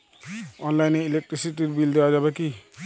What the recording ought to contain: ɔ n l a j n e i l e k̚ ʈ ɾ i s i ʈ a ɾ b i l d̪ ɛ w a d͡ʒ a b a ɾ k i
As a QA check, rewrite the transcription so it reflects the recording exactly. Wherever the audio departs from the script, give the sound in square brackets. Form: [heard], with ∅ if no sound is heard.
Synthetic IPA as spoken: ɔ n l a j n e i l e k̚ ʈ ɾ i s i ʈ [i] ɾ b i l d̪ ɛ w a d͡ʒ a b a [∅] k i